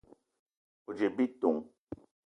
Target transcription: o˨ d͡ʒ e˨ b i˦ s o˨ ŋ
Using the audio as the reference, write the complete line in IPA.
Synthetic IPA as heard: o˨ d͡ʒ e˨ b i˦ t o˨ ŋ